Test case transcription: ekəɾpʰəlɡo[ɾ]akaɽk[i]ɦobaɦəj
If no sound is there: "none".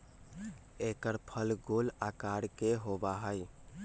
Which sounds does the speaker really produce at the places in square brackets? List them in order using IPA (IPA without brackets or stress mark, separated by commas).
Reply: l, e